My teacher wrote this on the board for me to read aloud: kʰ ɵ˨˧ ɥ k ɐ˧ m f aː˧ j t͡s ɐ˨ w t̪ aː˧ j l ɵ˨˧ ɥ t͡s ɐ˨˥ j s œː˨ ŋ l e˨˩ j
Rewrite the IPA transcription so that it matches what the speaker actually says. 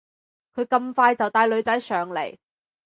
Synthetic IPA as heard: kʰ ɵ˨˧ ɥ k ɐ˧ m f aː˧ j t͡s ɐ˨ w t̪ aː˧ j l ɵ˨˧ ɥ t͡s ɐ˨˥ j s œː˨ ŋ l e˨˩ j